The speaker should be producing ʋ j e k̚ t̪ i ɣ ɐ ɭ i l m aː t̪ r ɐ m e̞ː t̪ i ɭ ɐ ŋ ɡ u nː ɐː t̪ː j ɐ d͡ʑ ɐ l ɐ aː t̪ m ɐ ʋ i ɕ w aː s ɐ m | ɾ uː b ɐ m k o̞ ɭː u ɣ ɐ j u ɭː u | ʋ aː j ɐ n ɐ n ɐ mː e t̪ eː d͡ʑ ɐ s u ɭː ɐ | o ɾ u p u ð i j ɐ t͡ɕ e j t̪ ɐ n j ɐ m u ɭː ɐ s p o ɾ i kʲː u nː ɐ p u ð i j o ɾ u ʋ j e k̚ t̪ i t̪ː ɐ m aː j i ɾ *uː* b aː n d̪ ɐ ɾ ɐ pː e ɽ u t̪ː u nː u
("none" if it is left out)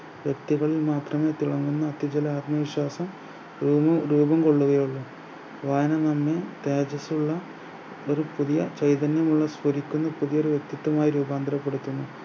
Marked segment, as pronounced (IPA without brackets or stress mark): uː